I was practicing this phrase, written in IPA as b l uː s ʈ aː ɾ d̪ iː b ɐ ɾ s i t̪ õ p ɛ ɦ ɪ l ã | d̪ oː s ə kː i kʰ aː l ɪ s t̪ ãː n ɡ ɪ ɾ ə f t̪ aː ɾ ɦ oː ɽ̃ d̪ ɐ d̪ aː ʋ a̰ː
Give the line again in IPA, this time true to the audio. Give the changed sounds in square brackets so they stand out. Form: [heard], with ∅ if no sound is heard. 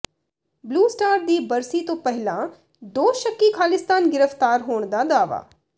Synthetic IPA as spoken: b l uː s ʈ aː ɾ d̪ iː b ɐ ɾ s i t̪ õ p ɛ ɦ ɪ l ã | d̪ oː [ʃ] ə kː i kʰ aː l ɪ s t̪ [aː] n ɡ ɪ ɾ ə f t̪ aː ɾ ɦ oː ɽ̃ d̪ [a] d̪ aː ʋ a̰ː